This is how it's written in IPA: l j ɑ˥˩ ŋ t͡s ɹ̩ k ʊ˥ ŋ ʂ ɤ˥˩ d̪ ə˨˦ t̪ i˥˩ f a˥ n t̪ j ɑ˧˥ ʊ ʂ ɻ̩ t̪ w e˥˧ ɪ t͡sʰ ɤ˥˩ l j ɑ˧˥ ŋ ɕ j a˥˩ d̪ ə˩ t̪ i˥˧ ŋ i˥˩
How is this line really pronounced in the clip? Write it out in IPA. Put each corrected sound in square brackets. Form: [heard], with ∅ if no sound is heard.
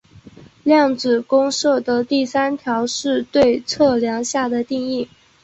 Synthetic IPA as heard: l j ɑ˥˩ ŋ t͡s ɹ̩ k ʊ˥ ŋ ʂ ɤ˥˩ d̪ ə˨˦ t̪ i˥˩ [s] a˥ n [t̪ʰ] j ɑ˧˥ ʊ ʂ ɻ̩ t̪ w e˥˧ ɪ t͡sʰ ɤ˥˩ l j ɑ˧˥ ŋ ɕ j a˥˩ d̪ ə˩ t̪ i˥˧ ŋ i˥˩

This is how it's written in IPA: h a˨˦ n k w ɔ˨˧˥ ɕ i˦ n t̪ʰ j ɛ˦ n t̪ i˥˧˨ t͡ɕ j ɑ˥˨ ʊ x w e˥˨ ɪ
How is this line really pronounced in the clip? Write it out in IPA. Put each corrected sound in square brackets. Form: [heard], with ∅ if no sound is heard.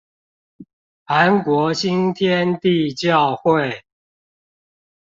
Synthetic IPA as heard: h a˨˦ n k w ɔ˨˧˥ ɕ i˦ n t̪ʰ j ɛ˦ n t̪ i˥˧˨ t͡ɕ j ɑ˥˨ ʊ x w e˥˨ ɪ

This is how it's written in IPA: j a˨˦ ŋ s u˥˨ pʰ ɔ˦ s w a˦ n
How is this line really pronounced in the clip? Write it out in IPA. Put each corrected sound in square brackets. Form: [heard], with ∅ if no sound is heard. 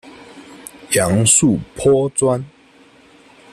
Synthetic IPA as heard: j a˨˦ ŋ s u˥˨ pʰ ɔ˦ [t͡s] w a˦ n

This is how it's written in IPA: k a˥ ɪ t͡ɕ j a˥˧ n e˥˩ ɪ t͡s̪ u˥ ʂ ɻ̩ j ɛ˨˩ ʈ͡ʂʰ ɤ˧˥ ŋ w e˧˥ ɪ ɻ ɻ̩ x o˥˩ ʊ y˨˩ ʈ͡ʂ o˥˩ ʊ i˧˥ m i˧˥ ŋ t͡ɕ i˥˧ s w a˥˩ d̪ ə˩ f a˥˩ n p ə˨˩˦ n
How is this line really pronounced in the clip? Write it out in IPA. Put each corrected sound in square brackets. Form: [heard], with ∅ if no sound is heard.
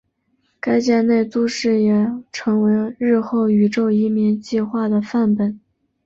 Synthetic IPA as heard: k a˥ ɪ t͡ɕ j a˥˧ n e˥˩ ɪ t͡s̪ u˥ ʂ ɻ̩ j ɛ˨˩ ʈ͡ʂʰ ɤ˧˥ ŋ w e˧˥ ɪ ɻ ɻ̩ x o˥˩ ʊ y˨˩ ʈ͡ʂ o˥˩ ʊ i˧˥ m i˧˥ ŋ t͡ɕ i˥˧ [x] w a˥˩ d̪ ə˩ f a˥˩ n p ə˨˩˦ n

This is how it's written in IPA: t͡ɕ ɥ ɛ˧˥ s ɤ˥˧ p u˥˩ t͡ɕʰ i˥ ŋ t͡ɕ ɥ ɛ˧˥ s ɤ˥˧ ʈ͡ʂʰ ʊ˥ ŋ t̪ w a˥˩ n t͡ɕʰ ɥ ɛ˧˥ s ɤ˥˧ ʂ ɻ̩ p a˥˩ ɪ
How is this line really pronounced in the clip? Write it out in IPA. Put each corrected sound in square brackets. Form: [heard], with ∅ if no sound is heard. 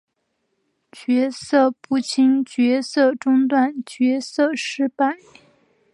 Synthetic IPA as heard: t͡ɕ ɥ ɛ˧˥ s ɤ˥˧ p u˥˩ t͡ɕʰ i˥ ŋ t͡ɕ ɥ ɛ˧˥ s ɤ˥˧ [ʈ͡ʂ] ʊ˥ ŋ t̪ w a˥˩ n [t͡ɕ] ɥ ɛ˧˥ s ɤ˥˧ ʂ ɻ̩ p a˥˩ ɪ

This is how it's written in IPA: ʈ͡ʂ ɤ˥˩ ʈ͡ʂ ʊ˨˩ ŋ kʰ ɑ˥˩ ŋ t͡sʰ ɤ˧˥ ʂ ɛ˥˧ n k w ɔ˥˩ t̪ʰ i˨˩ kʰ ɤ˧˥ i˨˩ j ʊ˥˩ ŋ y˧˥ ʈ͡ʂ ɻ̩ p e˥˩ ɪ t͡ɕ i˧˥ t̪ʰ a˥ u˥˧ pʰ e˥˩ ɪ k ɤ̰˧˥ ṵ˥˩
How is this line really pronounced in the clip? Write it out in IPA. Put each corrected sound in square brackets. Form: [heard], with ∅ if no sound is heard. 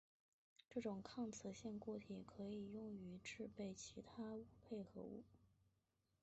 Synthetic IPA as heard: ʈ͡ʂ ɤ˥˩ ʈ͡ʂ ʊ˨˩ ŋ kʰ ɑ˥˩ ŋ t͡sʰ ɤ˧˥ [ɕ] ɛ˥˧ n k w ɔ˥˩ t̪ʰ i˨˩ kʰ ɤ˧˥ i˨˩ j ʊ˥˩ ŋ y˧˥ ʈ͡ʂ ɻ̩ p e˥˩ ɪ [t͡ɕʰ] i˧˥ t̪ʰ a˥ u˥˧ pʰ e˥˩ ɪ [x] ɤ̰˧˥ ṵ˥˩

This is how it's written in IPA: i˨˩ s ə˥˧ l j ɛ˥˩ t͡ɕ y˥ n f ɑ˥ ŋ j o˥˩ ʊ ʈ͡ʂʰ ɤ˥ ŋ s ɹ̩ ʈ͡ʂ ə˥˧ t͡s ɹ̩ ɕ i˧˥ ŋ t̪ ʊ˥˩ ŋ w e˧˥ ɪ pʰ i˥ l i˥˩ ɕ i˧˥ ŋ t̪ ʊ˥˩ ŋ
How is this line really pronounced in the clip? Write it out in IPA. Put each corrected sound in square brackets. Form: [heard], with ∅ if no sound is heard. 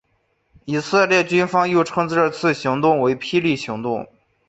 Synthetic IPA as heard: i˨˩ s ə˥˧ l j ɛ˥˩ t͡ɕ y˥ n f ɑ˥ ŋ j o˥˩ ʊ ʈ͡ʂʰ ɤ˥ ŋ [t͡s] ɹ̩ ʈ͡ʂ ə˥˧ [t͡sʰ] ɹ̩ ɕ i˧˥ ŋ t̪ ʊ˥˩ ŋ w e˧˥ ɪ pʰ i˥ l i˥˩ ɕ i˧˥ ŋ t̪ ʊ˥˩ ŋ

